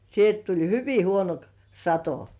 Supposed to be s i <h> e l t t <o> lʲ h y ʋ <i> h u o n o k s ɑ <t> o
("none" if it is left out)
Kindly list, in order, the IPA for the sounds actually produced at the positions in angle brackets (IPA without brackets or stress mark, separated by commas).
none, u, i, t